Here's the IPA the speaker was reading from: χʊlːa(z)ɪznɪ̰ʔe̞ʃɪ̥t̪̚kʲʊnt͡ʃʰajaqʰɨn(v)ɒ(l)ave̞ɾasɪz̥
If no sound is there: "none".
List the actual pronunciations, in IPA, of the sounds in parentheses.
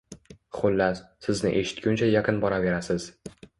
s, b, ɾ

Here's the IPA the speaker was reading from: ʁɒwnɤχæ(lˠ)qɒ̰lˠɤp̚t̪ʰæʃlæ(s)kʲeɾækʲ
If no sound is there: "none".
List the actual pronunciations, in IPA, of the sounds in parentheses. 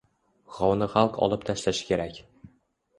lˠ, ʃ

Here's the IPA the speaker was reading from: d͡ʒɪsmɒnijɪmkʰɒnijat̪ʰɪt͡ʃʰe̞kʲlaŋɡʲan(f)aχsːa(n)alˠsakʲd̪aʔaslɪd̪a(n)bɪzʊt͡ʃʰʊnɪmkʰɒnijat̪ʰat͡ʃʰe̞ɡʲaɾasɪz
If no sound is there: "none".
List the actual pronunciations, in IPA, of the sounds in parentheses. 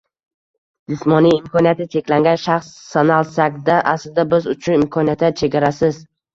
ʃ, n, none

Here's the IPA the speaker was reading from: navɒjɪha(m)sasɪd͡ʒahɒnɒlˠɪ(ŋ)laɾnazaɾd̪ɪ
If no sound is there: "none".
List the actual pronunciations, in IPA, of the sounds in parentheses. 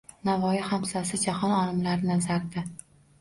m, m

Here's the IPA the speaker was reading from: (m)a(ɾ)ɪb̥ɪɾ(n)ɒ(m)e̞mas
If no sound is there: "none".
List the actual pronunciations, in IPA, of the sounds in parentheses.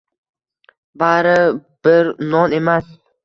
b, ɾ, n, n

